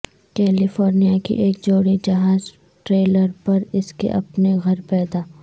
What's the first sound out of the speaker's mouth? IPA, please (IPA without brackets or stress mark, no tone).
k